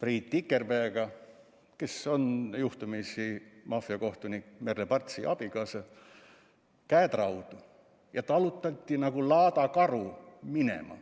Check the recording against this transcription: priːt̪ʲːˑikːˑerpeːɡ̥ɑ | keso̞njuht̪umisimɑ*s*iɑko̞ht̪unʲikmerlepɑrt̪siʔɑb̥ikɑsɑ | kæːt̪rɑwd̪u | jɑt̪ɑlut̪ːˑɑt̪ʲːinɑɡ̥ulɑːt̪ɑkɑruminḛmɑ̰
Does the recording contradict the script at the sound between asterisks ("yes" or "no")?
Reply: yes